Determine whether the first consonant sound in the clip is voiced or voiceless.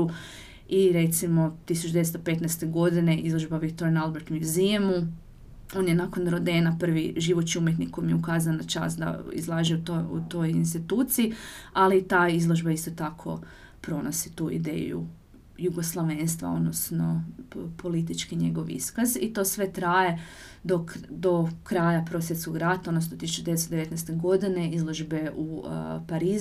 voiced